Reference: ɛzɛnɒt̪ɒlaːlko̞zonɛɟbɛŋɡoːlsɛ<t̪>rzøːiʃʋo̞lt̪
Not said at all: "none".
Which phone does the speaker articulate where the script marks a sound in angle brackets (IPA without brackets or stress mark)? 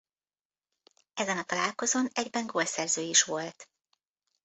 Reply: none